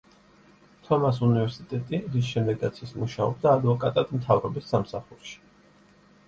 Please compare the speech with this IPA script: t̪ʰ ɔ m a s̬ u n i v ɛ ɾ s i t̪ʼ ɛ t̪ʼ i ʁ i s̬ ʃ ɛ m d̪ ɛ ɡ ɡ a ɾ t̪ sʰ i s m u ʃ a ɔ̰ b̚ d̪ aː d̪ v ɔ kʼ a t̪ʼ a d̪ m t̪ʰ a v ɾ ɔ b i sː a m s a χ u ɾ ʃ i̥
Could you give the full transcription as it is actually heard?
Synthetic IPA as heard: t̪ʰ ɔ m a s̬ u n i v ɛ ɾ s i t̪ʼ ɛ t̪ʼ i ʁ i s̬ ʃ ɛ m d̪ ɛ ɡ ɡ a t̪ sʰ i s m u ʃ a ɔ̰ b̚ d̪ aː d̪ v ɔ kʼ a t̪ʼ a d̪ m t̪ʰ a v ɾ ɔ b i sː a m s a χ u ɾ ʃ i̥